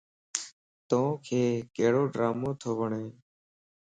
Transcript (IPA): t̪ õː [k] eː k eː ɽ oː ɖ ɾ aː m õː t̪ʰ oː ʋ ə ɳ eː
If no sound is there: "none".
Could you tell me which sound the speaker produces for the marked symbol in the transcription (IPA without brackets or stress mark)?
kʰ